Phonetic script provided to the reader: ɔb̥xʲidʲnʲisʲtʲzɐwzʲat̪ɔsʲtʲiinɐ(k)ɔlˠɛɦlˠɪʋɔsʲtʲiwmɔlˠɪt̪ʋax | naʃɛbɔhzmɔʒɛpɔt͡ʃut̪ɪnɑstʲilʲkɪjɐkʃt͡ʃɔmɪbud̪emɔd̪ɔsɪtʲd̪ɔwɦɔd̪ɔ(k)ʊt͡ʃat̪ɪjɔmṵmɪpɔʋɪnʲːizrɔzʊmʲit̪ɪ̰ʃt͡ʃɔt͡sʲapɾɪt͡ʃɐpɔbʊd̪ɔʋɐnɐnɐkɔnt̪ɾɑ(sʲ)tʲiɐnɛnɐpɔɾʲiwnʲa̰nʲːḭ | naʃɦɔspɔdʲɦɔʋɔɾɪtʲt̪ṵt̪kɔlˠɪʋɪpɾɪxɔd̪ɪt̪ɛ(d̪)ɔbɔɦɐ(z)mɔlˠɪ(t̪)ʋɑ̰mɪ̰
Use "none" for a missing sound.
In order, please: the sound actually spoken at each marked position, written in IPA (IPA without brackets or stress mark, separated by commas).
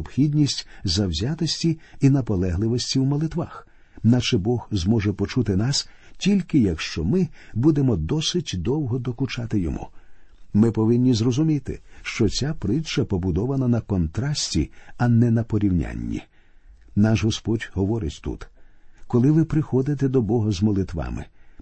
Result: p, k, sʲ, d̪, z, t̪